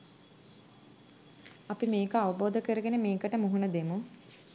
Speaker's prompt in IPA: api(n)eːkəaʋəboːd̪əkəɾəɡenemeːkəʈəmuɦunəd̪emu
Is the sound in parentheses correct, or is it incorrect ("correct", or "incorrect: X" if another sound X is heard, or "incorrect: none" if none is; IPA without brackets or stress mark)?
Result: incorrect: m